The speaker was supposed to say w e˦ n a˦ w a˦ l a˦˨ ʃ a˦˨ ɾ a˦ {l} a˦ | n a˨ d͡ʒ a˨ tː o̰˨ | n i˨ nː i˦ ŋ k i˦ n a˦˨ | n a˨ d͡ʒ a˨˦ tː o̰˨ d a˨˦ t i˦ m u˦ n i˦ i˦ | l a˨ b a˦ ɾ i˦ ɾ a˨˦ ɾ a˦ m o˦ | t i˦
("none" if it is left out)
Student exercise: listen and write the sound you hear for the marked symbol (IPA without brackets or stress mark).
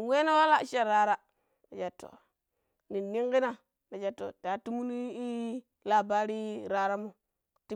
ɾ